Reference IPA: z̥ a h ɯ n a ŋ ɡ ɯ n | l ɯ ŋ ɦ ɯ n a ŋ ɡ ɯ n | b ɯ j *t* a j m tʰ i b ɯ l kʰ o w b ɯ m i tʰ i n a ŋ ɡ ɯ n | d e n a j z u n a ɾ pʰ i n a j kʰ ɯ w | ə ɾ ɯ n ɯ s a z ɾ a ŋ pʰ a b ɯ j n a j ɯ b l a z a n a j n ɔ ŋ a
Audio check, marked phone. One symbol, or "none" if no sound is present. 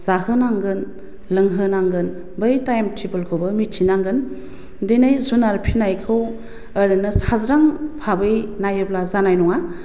t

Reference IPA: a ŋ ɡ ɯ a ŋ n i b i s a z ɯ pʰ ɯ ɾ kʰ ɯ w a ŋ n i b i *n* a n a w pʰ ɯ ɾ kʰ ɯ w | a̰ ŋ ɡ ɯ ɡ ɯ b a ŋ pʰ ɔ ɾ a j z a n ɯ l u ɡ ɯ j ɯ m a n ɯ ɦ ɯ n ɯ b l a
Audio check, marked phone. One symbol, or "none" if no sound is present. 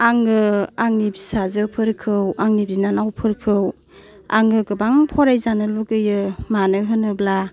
n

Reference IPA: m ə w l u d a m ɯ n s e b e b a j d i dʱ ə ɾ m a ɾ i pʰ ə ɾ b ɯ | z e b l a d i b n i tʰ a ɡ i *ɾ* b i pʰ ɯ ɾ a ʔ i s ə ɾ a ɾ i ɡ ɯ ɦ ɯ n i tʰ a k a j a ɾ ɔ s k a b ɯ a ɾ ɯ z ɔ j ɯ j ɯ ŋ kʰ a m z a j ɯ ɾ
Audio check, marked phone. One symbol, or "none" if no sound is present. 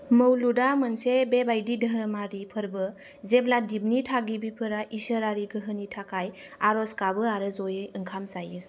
none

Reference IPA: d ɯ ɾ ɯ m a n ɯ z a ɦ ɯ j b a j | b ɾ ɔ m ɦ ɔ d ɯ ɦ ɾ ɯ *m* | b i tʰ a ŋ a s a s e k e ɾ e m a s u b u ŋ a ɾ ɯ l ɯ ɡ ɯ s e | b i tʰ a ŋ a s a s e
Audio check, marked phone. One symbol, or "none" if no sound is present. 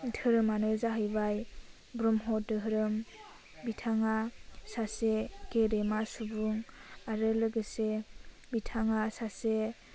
m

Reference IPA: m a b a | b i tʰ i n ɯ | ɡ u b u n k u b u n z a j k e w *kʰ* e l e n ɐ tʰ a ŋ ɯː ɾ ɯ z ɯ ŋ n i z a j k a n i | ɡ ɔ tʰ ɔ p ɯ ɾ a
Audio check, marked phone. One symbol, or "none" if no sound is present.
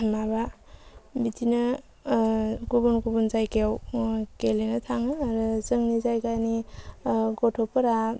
k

